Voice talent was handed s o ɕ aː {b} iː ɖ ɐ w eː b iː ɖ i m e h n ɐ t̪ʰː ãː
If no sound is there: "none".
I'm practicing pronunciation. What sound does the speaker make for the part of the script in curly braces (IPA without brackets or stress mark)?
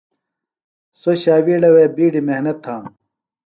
w